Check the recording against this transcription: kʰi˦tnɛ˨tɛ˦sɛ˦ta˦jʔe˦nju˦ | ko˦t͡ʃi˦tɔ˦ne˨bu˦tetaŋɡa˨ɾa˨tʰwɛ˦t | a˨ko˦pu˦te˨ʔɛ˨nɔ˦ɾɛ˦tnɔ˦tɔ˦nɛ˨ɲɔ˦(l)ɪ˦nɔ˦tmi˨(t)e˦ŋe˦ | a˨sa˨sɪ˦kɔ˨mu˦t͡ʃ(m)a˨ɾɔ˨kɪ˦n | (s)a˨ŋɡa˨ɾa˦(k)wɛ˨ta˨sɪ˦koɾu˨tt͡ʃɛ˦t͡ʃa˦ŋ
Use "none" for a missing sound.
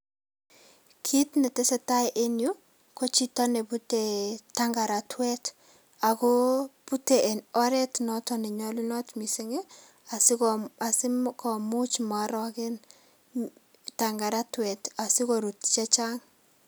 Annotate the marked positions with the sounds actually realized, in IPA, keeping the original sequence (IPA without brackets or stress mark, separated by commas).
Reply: l, s, m, t, t